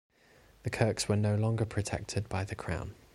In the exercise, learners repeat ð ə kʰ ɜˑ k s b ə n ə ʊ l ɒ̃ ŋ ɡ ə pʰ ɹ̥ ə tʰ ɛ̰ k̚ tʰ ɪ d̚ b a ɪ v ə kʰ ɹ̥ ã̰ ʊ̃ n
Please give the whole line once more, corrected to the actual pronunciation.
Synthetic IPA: ð ə kʰ ɜˑ k s w ə n ə ʊ l ɒ̃ ŋ ɡ ə pʰ ɹ̥ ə tʰ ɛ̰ k̚ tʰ ɪ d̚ b a ɪ ð ə kʰ ɹ̥ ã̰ ʊ̃ n